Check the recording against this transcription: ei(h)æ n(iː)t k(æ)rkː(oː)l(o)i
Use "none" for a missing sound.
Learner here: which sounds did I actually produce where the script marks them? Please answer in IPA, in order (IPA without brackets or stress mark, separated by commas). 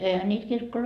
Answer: h, iː, i, o, o